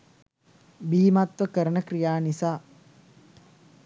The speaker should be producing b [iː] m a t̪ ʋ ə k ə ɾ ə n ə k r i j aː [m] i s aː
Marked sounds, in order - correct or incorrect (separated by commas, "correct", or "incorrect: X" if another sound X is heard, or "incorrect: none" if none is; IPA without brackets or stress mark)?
correct, incorrect: n